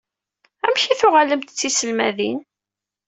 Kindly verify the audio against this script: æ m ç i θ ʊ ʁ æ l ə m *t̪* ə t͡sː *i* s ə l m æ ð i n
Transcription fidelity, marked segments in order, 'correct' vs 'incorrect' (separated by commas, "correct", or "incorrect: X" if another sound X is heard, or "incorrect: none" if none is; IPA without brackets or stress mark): correct, correct